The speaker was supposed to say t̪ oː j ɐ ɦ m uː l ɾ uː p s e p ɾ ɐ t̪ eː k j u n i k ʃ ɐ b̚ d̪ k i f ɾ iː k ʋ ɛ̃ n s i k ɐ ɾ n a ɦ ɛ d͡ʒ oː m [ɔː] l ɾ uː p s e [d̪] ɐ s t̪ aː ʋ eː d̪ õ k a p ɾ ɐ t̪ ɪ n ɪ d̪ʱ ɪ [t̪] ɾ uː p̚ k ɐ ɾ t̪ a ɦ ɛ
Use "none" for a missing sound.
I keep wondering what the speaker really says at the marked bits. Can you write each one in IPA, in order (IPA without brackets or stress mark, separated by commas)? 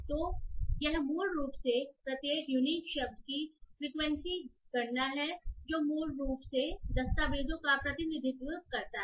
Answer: uː, d̪, t̪